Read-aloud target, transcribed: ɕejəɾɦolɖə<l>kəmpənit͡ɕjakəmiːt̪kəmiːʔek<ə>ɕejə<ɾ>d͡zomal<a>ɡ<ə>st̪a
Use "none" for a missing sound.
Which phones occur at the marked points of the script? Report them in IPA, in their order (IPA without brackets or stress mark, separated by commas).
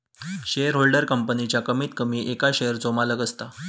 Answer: ɾ, a, ɾ, ə, ə